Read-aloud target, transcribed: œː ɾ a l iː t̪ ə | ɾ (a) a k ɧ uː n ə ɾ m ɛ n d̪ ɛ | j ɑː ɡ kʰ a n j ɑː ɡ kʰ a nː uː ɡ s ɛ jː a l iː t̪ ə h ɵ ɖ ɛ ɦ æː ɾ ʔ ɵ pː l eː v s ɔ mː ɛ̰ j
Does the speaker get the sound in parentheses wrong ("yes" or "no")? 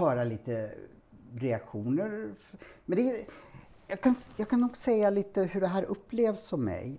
yes